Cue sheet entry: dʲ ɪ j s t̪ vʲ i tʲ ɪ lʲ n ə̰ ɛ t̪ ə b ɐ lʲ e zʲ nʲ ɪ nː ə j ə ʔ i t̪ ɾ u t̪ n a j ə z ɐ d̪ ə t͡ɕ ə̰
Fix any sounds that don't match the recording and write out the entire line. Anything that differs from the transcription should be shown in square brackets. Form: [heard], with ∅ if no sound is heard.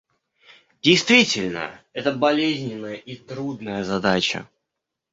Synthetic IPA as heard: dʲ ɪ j s t̪ vʲ i tʲ ɪ lʲ n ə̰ ɛ t̪ ə b ɐ lʲ e zʲ nʲ ɪ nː ə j ə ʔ i t̪ ɾ u [d̪] n [ə] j ə z ɐ d̪ [a] t͡ɕ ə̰